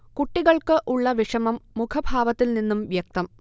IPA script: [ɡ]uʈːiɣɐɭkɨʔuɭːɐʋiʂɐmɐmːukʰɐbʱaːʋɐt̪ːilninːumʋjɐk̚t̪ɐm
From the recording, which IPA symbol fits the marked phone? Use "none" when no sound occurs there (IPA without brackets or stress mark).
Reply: k